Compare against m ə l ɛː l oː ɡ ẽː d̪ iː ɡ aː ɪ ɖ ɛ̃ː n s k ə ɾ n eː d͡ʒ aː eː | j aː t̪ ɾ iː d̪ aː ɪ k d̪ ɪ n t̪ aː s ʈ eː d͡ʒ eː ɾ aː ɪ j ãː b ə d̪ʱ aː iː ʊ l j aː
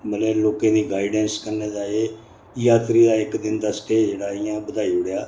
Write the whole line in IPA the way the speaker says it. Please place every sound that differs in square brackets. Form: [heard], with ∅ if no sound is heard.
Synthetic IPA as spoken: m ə l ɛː l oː [k] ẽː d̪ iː ɡ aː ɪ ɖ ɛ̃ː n s k ə ɾ n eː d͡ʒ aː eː | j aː t̪ ɾ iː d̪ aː ɪ k d̪ ɪ n [d̪] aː s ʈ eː d͡ʒ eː [ɽ] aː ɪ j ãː b ə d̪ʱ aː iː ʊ [ɽ] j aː